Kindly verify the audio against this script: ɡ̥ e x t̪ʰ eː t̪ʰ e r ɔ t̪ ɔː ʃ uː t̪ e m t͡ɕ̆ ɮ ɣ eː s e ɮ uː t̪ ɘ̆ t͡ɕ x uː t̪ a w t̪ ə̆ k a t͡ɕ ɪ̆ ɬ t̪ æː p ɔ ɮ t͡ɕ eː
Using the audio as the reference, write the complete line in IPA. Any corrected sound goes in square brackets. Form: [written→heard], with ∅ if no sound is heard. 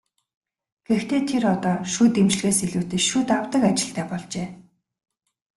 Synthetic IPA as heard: ɡ̥ e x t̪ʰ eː t̪ʰ e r ɔ t̪ ɔː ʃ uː t̪ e m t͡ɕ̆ ɮ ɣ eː s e ɮ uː t̪ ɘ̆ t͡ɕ [x→ʃ] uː t̪ a w t̪ ə̆ k a t͡ɕ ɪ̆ ɬ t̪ æː p ɔ ɮ t͡ɕ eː